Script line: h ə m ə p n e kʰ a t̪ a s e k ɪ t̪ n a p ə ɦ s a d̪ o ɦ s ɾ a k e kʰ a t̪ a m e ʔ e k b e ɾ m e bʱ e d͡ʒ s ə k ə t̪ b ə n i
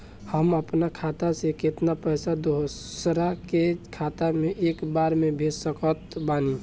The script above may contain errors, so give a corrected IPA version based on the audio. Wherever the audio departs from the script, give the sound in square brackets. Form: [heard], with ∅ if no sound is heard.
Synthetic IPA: h ə m ə p n [a] kʰ a t̪ a s e k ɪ t̪ n a p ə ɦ s a d̪ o ɦ s ɾ a k e kʰ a t̪ a m e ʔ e k b [a] ɾ m e bʱ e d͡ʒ s ə k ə t̪ b [a] n i